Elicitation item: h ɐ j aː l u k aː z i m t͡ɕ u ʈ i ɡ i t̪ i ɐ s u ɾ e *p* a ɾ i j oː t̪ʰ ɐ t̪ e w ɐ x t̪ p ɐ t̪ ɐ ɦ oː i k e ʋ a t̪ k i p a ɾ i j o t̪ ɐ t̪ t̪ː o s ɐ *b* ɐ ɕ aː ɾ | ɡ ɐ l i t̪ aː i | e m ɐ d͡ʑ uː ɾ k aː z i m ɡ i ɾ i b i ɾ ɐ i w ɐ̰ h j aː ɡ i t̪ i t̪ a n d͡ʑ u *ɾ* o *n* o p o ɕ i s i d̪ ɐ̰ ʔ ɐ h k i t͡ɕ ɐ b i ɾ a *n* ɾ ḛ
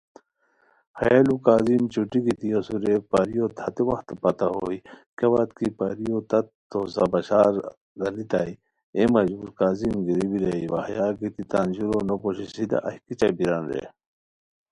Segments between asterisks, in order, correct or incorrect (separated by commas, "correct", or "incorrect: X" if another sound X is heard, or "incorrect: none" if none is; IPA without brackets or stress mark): correct, correct, correct, correct, correct